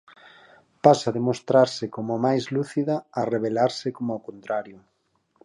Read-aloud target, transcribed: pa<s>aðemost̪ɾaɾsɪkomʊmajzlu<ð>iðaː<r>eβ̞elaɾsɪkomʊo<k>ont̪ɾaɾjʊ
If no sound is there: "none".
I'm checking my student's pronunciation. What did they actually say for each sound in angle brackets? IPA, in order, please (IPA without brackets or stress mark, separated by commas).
s, θ, r, k